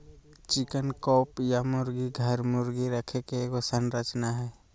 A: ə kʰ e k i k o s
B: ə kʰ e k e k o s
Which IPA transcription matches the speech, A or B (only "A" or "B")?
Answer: B